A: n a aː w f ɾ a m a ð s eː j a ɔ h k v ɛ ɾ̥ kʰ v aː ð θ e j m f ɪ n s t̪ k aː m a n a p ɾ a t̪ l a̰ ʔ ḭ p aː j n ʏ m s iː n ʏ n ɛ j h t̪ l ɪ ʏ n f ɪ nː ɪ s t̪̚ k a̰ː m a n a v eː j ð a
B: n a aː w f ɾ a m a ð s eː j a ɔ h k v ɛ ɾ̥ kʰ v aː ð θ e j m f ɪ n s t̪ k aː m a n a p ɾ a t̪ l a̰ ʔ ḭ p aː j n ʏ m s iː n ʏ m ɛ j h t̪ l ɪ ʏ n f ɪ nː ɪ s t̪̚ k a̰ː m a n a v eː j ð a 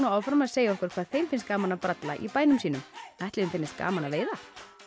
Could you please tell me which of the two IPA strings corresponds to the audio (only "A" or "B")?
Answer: B